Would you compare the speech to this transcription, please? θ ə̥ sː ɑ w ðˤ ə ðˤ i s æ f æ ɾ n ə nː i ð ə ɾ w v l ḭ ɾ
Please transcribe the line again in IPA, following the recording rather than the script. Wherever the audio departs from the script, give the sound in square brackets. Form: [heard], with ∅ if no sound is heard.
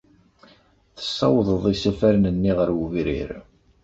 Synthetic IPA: θ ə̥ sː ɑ w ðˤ ə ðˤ i s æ f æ ɾ n ə nː i [ʁ] ə ɾ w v [ɾ] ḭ ɾ